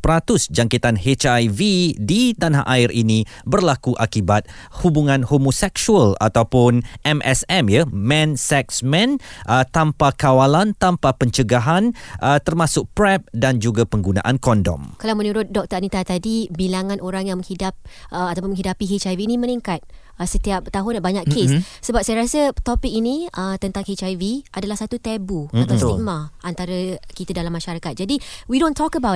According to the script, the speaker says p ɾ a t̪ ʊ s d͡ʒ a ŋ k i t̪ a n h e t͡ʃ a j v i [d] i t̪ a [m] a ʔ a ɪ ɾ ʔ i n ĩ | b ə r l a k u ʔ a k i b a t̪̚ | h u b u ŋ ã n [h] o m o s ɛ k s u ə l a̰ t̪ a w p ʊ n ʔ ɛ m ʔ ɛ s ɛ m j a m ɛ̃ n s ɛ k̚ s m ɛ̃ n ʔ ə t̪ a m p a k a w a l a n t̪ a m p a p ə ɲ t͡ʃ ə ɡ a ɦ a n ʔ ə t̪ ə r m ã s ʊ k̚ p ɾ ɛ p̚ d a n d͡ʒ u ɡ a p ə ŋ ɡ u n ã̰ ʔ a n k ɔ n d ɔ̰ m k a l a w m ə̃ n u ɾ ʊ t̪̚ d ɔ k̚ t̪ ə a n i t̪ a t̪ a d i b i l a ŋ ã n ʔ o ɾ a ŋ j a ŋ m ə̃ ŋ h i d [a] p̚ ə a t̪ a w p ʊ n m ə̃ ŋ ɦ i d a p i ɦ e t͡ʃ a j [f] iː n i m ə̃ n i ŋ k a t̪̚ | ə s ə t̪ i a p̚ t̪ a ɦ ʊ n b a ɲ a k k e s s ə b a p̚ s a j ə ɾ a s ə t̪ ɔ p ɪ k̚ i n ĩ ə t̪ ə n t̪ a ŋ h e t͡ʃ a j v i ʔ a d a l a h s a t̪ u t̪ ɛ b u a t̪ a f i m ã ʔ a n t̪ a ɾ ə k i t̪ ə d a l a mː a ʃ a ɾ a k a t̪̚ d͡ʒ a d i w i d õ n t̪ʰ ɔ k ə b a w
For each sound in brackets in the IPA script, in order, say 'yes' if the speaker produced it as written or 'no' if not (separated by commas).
yes, no, yes, yes, no